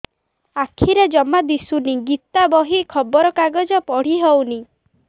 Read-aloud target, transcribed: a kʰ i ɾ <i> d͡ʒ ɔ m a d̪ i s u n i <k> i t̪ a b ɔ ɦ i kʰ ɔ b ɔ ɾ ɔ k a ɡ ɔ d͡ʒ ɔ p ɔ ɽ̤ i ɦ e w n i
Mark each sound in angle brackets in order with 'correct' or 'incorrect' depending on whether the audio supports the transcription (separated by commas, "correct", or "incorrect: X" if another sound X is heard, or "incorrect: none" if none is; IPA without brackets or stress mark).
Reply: incorrect: e, incorrect: ɡ